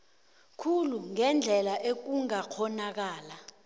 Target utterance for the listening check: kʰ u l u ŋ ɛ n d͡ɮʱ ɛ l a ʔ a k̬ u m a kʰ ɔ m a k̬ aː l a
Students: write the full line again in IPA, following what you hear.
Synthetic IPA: kʰ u l u ŋ ɛ n d͡ɮʱ ɛ l a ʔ e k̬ u ŋ a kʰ ɔ n a k̬ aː l a